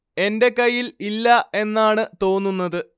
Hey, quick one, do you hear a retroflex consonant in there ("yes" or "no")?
yes